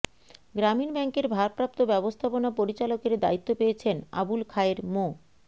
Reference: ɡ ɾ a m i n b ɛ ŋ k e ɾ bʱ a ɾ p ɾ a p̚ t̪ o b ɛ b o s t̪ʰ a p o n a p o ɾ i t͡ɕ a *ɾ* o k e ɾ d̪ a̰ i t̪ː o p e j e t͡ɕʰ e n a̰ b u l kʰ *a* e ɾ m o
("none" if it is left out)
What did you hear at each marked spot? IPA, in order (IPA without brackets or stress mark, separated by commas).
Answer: l, a